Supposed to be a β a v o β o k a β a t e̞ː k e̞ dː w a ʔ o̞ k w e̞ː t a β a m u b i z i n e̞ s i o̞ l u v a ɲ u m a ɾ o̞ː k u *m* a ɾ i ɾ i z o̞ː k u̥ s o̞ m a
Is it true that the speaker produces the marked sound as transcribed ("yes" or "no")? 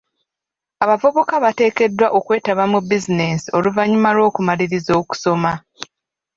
yes